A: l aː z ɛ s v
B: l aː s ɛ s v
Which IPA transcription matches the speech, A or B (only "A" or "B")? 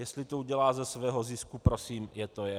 A